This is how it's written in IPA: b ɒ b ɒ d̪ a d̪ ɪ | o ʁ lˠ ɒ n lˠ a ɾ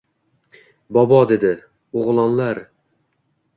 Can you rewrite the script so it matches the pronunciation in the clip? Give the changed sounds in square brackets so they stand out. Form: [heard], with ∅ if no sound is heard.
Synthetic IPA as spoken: b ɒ b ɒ d̪ [e] d̪ ɪ | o ʁ lˠ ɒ n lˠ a ɾ